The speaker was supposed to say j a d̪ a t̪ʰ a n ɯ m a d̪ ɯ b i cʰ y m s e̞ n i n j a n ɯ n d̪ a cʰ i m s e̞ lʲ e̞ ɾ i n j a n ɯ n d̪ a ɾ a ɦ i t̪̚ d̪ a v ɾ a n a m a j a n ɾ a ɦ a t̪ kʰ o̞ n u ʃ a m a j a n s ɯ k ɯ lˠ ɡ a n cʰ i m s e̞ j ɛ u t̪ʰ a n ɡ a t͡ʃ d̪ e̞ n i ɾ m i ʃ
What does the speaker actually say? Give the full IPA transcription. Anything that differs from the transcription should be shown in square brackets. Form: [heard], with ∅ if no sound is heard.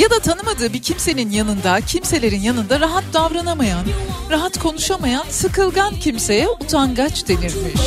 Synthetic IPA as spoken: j a d̪ a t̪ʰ a n ɯ m a d̪ [ɯː] b i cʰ [i] m s e̞ n i n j a n ɯ n d̪ a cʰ i m s e̞ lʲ e̞ ɾ i n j a n ɯ n d̪ a ɾ a ɦ [a] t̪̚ d̪ a v ɾ a n a m a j a n ɾ a ɦ a t̪ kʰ o̞ n u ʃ a m a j a n s ɯ k ɯ lˠ ɡ a n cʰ i m s e̞ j ɛ u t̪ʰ a n ɡ a t͡ʃ d̪ e̞ n i ɾ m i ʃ